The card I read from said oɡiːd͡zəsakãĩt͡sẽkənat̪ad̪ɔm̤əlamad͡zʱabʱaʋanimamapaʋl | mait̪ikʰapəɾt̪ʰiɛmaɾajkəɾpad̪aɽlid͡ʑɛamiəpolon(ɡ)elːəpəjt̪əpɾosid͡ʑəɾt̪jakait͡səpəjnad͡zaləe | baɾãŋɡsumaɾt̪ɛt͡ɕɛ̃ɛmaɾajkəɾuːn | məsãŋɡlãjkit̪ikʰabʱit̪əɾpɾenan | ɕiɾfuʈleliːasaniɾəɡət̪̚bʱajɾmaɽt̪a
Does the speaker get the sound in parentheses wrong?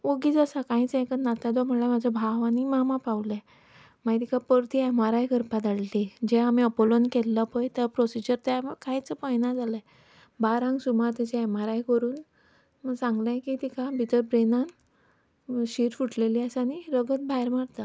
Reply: yes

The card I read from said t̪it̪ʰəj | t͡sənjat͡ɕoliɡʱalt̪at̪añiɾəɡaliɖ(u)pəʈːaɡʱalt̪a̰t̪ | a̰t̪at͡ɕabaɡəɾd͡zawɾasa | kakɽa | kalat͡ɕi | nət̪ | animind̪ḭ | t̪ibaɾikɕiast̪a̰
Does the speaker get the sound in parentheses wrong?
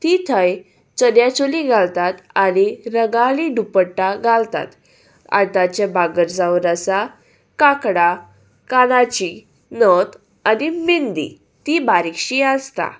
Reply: no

